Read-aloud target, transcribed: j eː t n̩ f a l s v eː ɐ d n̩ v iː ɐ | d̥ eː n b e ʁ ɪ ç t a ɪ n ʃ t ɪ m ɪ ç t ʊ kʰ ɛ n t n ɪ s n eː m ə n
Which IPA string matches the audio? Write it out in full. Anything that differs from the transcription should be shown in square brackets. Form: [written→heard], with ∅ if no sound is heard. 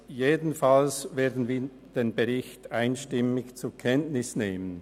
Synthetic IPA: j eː [t→d] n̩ f a l s v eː ɐ d n̩ v iː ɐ | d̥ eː n b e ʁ ɪ ç t a ɪ n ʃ t ɪ m ɪ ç [t→t͡s] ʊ kʰ ɛ n t n ɪ s n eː m ə n